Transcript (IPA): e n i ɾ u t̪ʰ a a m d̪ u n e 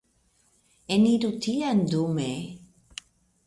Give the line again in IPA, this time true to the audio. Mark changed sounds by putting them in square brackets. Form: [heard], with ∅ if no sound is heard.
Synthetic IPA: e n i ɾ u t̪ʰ [i] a [n] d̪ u [m] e